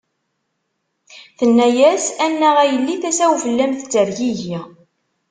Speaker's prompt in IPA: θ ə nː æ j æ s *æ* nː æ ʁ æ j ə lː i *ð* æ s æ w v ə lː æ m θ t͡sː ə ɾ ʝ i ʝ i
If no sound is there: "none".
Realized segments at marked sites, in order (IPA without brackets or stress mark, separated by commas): æ, θ